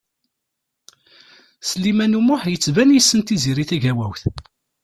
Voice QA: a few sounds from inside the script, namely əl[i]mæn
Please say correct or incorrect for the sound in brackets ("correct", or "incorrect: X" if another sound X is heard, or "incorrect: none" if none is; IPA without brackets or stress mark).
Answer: correct